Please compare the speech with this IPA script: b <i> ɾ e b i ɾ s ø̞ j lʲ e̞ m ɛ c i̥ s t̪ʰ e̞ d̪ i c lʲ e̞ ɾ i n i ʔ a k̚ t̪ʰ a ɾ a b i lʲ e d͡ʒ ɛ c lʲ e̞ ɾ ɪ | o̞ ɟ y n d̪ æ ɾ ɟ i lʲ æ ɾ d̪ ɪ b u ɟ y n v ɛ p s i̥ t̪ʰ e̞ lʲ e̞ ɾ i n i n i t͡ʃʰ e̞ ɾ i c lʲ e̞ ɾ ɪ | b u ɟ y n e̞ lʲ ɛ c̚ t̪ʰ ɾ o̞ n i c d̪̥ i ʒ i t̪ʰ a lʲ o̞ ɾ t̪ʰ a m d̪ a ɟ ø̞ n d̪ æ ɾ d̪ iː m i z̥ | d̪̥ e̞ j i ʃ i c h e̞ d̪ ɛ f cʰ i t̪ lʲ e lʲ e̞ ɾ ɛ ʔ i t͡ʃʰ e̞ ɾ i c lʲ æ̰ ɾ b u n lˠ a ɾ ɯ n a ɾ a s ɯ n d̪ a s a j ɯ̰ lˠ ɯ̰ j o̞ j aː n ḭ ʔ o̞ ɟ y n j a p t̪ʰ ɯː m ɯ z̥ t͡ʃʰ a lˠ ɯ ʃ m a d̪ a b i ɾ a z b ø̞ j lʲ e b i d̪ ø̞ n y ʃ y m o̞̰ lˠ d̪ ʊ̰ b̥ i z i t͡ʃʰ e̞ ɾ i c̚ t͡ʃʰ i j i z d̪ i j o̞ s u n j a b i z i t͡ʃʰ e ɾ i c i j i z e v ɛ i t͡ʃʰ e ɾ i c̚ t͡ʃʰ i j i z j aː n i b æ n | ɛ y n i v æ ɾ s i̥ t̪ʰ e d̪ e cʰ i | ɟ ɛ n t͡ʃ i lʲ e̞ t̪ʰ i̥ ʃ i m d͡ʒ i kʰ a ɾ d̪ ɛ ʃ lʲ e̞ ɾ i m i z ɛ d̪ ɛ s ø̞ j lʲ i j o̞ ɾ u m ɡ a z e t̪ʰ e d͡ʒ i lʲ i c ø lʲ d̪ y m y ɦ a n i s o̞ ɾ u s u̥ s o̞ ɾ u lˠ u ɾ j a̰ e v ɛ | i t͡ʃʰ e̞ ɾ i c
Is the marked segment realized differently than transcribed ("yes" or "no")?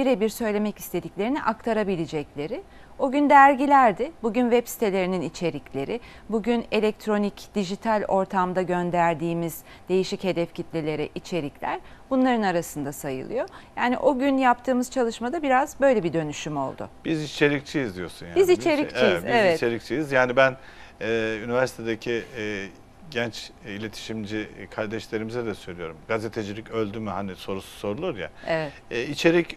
no